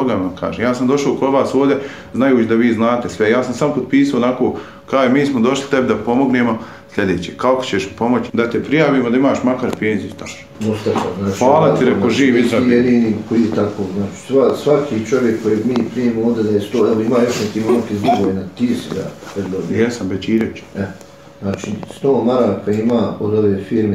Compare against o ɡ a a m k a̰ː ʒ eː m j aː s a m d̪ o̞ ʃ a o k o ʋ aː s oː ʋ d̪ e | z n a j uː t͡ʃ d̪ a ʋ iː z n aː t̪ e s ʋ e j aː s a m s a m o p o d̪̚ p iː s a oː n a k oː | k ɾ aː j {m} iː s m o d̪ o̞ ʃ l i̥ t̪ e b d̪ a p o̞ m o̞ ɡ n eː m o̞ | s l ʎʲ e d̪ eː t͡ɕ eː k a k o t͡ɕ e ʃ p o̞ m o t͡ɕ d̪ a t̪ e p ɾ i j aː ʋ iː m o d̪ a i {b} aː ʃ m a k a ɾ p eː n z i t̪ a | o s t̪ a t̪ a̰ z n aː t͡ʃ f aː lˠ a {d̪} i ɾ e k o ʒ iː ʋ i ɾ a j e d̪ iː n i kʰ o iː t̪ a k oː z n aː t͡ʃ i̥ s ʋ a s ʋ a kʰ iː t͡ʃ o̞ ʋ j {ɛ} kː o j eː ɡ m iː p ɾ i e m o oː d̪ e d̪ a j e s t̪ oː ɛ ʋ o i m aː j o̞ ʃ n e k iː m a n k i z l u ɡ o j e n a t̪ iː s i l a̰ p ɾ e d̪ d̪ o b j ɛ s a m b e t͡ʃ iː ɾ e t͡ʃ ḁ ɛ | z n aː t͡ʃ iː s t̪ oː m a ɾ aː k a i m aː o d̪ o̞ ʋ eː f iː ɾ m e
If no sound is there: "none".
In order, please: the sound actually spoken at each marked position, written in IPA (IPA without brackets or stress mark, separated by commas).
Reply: m, m, t̪, e